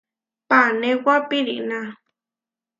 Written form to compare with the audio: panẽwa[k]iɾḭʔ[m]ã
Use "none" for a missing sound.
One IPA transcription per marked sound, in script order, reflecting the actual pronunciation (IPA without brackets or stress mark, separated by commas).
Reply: p, n